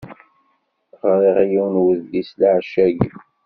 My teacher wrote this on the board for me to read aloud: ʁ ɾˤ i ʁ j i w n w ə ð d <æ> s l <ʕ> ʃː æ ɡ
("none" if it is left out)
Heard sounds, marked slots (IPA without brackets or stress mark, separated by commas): i, ʕ